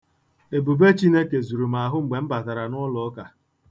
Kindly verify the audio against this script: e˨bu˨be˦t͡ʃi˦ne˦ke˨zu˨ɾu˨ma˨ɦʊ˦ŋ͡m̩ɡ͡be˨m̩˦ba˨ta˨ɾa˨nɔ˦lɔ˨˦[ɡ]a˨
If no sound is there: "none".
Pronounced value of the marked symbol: k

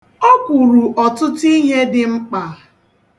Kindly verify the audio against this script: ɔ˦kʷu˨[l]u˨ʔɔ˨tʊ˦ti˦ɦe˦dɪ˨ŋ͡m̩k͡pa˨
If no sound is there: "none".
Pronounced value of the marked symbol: ɾ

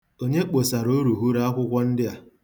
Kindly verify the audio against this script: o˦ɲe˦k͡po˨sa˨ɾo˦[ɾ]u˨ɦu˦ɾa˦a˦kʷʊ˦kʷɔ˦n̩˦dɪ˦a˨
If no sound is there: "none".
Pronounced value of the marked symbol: ɾ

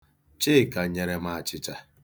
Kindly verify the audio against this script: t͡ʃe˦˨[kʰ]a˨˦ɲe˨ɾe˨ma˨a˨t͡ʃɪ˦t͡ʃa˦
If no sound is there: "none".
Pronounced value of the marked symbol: k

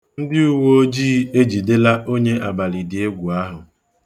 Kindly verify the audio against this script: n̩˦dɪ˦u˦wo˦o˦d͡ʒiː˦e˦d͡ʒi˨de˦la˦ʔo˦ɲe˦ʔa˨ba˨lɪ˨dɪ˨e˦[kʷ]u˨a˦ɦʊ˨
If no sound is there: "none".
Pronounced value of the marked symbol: ɡʷ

